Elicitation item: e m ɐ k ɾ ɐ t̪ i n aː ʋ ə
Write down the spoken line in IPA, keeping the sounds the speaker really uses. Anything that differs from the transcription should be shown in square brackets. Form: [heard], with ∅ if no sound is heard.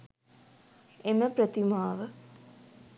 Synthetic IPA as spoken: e m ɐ [p] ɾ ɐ t̪ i [m] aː ʋ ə